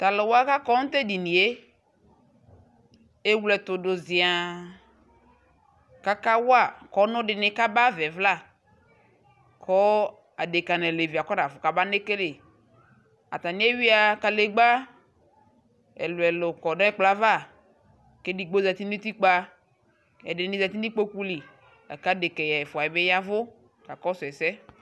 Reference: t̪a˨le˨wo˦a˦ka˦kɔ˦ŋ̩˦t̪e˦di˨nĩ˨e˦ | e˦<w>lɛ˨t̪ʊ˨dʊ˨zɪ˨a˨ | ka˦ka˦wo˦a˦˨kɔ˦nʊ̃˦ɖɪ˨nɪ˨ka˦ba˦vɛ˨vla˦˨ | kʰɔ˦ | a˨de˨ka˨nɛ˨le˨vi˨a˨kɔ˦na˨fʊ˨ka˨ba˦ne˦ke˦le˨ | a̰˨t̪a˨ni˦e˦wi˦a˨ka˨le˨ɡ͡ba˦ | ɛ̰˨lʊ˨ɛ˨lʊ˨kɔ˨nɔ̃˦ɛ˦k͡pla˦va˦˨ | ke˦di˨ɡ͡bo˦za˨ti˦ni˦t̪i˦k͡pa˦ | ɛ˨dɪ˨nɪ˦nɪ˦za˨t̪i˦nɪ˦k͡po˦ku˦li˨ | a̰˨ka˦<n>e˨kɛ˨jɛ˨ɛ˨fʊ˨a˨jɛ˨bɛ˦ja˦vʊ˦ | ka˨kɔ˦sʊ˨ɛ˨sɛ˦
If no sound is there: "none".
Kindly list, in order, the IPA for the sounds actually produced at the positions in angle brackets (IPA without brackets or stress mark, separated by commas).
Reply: w, d